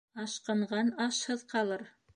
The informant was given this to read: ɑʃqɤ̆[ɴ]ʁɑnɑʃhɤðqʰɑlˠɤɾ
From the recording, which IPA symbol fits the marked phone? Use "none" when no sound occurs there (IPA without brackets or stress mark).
ɴ